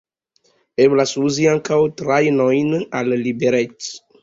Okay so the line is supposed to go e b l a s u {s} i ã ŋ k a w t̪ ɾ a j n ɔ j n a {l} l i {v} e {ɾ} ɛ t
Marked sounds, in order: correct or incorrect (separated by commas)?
incorrect, correct, incorrect, correct